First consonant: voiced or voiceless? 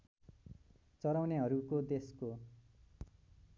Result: voiceless